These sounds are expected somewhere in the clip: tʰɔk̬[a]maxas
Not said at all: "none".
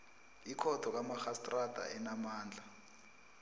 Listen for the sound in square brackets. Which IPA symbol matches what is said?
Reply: a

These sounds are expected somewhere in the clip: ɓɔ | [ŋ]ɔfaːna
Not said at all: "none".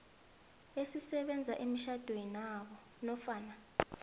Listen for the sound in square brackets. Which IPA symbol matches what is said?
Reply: n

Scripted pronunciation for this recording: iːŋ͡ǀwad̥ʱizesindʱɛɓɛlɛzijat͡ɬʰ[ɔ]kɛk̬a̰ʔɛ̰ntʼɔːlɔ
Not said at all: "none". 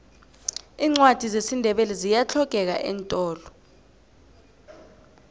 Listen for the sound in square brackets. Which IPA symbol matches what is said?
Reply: ɔ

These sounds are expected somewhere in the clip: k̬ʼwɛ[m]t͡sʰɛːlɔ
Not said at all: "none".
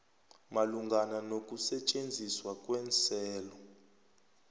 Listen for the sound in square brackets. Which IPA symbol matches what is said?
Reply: n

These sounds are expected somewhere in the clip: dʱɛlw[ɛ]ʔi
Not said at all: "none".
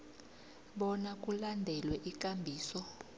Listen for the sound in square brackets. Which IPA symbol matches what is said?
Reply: ɛ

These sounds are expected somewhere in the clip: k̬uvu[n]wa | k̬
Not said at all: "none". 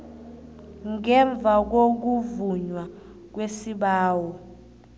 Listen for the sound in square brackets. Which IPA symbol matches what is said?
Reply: ɲ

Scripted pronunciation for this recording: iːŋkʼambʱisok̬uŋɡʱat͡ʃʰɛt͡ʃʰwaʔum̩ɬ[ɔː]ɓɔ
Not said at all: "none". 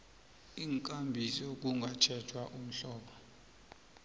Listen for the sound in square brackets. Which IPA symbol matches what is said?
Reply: ɔː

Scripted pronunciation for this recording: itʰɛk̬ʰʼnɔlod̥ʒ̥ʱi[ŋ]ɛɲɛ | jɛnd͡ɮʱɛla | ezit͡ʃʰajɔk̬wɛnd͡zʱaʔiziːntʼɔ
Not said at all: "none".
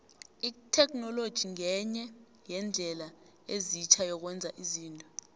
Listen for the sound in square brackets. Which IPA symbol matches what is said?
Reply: ŋ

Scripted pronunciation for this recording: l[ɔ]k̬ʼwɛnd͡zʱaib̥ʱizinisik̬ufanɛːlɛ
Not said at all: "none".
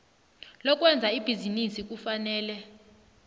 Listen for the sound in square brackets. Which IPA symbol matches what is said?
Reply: ɔ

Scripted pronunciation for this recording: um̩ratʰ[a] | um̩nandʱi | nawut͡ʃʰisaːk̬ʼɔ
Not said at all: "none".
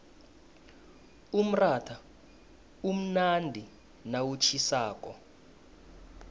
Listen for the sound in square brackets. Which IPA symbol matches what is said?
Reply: a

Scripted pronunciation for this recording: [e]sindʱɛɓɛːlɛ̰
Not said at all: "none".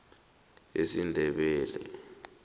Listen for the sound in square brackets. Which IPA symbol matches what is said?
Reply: e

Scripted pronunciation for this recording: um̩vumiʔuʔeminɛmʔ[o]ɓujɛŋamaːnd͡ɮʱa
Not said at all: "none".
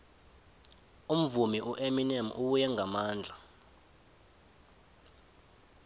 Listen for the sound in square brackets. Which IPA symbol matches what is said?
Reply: u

